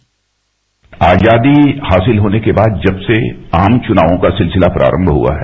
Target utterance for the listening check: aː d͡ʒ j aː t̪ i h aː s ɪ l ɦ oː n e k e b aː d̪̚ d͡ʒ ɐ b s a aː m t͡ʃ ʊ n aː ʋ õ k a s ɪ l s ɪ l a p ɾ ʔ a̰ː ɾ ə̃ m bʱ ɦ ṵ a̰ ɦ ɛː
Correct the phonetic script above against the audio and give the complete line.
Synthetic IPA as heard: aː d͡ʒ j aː d̪ i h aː s ɪ l ɦ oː n e k e b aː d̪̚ d͡ʒ ɐ b s e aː m t͡ʃ ʊ n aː ʋ õ k a s ɪ l s ɪ l a p ɾ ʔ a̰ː ɾ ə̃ m bʱ ɦ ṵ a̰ ɦ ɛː